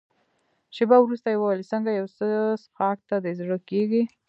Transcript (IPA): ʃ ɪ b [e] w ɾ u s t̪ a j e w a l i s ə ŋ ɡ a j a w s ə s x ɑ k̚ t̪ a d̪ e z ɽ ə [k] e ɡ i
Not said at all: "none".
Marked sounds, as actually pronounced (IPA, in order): a, k

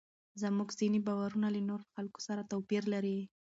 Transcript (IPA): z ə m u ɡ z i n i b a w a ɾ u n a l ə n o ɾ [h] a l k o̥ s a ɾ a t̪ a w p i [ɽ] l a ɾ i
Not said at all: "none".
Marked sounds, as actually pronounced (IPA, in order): x, ɾ

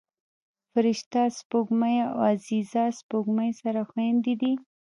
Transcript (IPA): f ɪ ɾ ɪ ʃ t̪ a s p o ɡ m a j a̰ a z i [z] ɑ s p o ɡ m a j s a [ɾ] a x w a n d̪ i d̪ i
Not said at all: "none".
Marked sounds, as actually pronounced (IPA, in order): z, ɾ

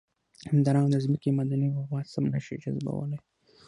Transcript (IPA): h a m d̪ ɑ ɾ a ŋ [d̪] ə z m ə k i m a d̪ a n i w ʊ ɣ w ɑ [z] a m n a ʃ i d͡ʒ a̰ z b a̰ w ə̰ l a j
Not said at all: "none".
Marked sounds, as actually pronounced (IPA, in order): d̪, s

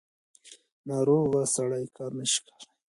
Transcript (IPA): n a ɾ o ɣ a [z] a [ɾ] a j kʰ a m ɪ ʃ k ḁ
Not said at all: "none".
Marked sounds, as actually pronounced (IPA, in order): s, ɽ

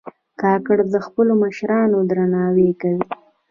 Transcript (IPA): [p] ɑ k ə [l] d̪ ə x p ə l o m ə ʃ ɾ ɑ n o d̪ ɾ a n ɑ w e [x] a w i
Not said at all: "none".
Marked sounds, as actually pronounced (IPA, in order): k, ɽ, k

